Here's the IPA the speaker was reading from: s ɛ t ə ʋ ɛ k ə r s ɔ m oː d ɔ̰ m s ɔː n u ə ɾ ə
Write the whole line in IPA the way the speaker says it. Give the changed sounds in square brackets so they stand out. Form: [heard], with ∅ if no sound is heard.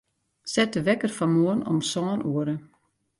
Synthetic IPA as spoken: s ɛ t ə ʋ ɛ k ə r [f] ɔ m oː [n] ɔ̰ m s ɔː n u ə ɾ ə